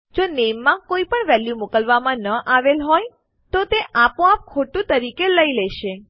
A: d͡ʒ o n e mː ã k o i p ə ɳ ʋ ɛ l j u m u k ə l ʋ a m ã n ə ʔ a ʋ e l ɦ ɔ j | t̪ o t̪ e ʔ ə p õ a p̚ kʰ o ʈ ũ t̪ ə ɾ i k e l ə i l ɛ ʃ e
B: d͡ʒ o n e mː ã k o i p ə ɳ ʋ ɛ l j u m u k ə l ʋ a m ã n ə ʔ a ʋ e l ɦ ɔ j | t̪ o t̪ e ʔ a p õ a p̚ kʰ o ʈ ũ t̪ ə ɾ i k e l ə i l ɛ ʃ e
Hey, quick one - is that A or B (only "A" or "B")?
B